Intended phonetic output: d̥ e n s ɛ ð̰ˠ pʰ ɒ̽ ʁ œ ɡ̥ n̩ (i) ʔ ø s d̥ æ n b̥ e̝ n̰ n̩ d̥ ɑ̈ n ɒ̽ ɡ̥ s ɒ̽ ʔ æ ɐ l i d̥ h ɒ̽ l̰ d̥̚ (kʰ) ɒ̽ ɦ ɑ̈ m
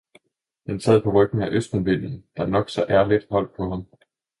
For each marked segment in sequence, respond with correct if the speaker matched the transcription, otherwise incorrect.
incorrect, incorrect

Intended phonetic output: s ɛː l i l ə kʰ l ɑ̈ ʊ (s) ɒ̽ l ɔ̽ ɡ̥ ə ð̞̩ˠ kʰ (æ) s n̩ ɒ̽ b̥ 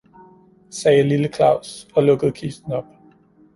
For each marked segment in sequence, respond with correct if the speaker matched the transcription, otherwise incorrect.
correct, incorrect

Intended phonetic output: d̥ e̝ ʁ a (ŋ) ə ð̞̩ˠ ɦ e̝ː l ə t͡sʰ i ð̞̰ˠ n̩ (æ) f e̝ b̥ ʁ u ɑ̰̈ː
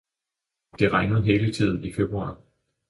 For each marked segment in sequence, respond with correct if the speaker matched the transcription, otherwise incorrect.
correct, incorrect

